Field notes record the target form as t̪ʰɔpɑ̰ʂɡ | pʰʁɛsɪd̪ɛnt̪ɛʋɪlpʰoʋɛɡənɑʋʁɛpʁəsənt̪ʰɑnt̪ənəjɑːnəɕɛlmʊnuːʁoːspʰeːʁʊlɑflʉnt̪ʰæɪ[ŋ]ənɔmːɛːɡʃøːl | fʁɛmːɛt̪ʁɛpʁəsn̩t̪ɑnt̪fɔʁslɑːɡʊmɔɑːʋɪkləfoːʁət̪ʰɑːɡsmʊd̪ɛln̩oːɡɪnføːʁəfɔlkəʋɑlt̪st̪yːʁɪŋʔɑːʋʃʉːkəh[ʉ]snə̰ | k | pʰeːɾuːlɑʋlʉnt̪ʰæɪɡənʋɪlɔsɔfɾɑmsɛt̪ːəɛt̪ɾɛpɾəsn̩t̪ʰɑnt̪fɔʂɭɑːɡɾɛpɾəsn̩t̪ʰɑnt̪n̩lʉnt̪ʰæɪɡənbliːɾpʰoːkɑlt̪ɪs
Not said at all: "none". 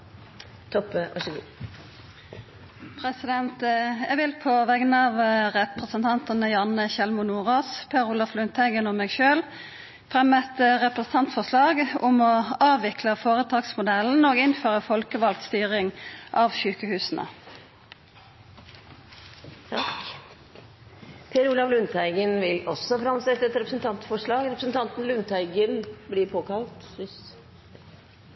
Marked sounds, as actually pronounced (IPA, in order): ɡ, ʉː

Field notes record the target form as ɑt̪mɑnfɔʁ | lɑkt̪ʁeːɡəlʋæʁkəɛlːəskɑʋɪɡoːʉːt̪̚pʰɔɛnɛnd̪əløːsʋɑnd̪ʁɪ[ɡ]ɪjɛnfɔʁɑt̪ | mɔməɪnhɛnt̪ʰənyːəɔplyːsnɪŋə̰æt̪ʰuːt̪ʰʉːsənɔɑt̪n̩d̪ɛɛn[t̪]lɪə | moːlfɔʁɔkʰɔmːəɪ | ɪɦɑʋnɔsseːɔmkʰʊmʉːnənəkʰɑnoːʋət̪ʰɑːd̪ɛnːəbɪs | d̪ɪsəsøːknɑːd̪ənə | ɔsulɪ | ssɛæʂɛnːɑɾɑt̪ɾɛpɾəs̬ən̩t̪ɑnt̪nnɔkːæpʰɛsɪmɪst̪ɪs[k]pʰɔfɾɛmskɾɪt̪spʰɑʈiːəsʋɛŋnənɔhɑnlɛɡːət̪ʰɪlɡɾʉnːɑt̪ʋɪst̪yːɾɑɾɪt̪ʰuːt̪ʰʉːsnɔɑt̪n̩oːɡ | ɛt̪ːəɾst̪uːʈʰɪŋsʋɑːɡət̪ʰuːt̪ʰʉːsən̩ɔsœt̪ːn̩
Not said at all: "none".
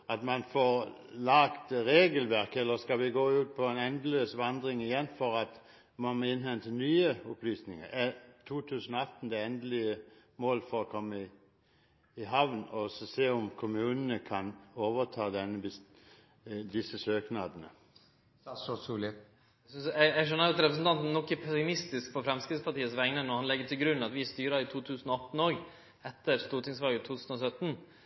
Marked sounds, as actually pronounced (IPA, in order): ŋ, d̪, k

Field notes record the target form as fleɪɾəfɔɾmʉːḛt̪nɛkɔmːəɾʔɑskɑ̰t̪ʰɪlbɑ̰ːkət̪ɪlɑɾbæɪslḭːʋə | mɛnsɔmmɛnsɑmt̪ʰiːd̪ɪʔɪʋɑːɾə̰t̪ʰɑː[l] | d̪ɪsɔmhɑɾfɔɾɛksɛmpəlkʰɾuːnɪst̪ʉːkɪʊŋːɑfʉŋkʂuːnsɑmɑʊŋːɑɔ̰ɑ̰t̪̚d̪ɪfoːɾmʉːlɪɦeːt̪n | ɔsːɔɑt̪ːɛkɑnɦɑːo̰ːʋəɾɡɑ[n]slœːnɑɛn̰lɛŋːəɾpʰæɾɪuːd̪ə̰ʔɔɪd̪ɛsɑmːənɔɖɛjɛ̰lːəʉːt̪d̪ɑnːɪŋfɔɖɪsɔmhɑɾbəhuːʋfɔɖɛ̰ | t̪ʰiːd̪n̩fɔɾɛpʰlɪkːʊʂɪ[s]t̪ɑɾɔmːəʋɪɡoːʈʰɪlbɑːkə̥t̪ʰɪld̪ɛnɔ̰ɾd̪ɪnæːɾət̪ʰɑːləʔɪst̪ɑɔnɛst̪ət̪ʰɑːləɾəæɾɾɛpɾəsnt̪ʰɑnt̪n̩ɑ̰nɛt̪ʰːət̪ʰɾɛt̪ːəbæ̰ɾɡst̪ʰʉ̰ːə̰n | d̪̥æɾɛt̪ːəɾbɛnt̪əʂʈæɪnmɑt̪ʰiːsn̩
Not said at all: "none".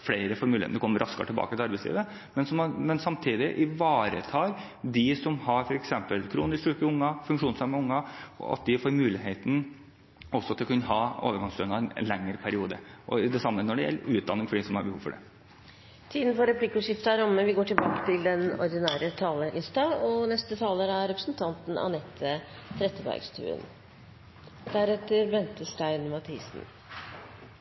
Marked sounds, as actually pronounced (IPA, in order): ɾ, ŋ, f

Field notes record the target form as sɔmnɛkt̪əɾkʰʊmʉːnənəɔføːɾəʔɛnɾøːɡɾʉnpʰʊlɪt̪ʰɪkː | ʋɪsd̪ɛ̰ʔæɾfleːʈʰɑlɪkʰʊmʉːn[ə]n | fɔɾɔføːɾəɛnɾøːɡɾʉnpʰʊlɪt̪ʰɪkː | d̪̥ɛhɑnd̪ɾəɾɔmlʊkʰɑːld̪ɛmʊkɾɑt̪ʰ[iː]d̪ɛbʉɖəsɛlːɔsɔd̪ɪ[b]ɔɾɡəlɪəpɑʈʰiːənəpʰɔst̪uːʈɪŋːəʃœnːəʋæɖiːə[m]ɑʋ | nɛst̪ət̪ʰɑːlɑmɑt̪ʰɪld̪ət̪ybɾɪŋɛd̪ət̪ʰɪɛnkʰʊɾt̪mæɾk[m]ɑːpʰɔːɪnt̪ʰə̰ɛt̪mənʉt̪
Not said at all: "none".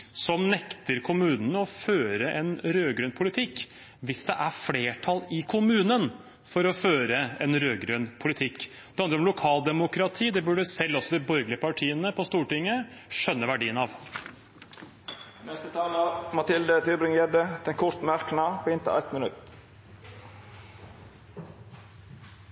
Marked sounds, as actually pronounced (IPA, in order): ə, iː, b, n, n

